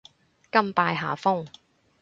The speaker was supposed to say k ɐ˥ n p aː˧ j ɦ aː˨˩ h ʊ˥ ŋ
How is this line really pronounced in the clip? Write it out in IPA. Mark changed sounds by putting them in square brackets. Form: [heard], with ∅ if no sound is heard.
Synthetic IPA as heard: k ɐ˥ [m] p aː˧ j ɦ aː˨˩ [f] ʊ˥ ŋ

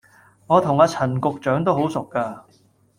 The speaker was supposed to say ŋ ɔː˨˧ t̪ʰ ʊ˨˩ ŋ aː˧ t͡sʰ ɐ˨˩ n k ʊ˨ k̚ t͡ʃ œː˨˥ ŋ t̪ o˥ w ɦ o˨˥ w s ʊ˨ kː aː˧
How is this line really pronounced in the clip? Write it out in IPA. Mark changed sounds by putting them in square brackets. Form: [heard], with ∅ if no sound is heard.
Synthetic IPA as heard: ŋ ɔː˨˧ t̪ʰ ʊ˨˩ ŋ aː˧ t͡sʰ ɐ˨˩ n k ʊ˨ k̚ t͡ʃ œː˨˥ ŋ t̪ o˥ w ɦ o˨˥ w s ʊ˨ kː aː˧

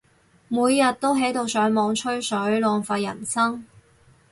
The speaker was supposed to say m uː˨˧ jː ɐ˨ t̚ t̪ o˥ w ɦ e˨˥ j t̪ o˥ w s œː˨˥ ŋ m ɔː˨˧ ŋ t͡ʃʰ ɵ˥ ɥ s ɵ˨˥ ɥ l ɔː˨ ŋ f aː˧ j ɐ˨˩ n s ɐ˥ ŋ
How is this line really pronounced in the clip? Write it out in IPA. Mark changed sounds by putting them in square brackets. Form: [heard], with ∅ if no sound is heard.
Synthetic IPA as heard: m uː˨˧ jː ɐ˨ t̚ t̪ o˥ w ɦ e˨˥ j t̪ [o˨˧] w s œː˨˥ ŋ m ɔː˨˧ ŋ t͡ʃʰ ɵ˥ ɥ s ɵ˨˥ ɥ l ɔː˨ ŋ f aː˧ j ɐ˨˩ n s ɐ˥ ŋ

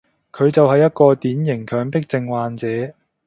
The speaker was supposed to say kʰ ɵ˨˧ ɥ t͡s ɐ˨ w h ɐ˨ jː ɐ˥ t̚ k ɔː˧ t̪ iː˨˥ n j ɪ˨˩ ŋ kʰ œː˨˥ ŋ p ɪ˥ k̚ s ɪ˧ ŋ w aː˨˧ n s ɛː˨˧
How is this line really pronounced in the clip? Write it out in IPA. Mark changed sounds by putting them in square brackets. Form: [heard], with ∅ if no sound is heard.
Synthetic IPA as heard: kʰ ɵ˨˧ ɥ t͡s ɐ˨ w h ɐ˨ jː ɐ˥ t̚ k ɔː˧ t̪ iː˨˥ n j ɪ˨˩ ŋ kʰ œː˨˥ ŋ p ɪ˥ k̚ [t͡s] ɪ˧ ŋ w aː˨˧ n [t͡s] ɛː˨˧

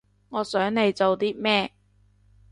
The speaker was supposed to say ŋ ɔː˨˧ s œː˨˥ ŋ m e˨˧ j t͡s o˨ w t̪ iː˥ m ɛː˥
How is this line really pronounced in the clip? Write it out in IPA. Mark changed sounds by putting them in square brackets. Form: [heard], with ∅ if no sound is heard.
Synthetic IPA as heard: ŋ ɔː˨˧ s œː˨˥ ŋ [n] e˨˧ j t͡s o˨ w t̪ iː˥ m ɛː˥

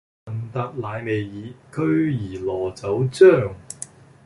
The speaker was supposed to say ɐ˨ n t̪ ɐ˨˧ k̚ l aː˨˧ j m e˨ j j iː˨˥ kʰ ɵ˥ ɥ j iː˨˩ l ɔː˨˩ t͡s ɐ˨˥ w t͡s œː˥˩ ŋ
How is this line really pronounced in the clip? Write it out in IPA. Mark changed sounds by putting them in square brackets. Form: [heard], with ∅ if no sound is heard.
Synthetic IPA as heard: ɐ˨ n t̪ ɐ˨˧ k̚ l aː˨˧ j m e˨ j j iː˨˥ kʰ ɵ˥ ɥ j iː˨˩ l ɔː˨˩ t͡s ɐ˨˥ w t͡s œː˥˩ ŋ

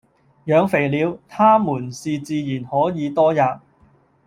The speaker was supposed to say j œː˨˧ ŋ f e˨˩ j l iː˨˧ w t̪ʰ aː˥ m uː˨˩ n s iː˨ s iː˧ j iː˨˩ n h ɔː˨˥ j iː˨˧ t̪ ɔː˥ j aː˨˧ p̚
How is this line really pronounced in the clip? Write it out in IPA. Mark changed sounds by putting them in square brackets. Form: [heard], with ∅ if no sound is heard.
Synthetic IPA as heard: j œː˨˧ ŋ f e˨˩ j l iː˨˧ w t̪ʰ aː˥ m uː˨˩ n s iː˨ [t͡s] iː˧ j iː˨˩ n h ɔː˨˥ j iː˨˧ t̪ ɔː˥ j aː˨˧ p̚

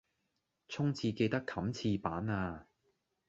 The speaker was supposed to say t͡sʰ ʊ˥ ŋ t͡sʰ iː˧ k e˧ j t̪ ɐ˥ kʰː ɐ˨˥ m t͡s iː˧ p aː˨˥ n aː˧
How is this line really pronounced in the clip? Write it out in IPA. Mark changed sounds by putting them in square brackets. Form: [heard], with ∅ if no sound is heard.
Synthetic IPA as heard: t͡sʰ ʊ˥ ŋ t͡sʰ iː˧ k e˧ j t̪ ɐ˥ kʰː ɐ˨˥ m [t͡sʰ] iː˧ p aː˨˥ n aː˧

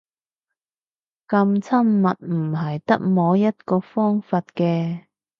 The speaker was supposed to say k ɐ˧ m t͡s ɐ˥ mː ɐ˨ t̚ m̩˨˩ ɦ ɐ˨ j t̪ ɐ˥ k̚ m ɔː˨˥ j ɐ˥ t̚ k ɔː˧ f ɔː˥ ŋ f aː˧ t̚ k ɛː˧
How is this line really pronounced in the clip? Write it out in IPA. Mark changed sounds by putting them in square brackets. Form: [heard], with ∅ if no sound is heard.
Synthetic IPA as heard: k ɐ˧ m [t͡sʰ] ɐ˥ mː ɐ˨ t̚ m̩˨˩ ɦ ɐ˨ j t̪ ɐ˥ k̚ m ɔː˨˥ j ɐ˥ t̚ k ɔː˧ f ɔː˥ ŋ f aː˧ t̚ k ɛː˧

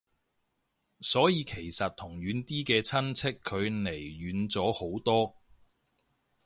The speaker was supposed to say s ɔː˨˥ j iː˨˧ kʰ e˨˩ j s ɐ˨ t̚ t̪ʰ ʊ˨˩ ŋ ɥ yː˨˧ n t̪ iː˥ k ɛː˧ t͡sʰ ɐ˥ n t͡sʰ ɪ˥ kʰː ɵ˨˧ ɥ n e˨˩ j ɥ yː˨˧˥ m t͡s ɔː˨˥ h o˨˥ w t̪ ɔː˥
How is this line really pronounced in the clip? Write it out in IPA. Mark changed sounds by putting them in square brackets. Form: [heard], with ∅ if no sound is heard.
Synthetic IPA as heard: s ɔː˨˥ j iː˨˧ kʰ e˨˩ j s ɐ˨ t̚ t̪ʰ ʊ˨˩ ŋ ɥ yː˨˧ n t̪ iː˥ k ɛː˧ t͡sʰ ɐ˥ n t͡sʰ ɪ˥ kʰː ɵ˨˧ ɥ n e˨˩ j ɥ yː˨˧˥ [n] t͡s ɔː˨˥ h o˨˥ w t̪ ɔː˥

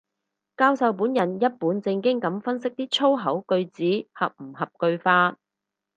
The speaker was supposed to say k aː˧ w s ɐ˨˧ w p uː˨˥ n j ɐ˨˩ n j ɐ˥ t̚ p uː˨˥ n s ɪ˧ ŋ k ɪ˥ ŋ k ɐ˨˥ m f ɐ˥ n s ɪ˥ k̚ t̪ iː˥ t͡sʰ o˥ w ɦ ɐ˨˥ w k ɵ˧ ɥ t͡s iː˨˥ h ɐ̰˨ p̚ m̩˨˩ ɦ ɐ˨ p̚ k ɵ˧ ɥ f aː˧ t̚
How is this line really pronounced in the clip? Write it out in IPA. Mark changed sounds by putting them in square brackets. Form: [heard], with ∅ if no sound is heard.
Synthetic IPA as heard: k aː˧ w s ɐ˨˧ w p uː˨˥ n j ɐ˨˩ n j ɐ˥ t̚ p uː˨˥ n [t͡s] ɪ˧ ŋ k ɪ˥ ŋ k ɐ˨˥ m f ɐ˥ n s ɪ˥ k̚ t̪ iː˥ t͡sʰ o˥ w ɦ ɐ˨˥ w k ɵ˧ ɥ t͡s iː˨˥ h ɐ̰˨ p̚ m̩˨˩ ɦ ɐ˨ p̚ k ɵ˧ ɥ f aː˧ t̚

